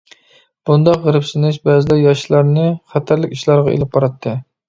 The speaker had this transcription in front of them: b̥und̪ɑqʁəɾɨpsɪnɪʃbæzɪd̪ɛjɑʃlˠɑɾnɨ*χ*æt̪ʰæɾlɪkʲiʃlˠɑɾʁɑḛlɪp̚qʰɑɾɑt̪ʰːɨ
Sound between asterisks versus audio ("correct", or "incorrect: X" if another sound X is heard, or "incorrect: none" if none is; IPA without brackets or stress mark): correct